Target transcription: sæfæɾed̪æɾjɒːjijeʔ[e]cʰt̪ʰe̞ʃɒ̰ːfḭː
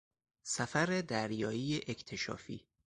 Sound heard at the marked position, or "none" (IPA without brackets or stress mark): e